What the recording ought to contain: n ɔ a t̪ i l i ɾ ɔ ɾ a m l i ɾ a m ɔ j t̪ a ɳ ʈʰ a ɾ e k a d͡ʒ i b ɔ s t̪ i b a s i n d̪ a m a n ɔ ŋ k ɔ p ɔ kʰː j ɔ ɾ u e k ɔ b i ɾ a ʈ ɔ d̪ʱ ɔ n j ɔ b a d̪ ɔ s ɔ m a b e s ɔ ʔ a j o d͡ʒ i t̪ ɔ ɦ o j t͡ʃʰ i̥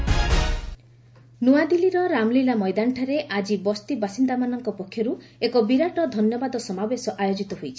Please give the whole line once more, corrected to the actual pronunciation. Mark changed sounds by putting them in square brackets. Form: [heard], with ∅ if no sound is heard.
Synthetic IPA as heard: n [u] a [d̪] i l i ɾ ɔ ɾ a m l i [l] a m ɔ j [d̪] a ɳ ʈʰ a ɾ e [ʔ] a d͡ʒ i b ɔ s t̪ i b a s i n d̪ a m a n ɔ ŋ k ɔ p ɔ kʰː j ɔ ɾ u e k ɔ b i ɾ a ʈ ɔ d̪ʱ ɔ n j ɔ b a d̪ ɔ s ɔ m a b e s ɔ ʔ a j o d͡ʒ i t̪ ɔ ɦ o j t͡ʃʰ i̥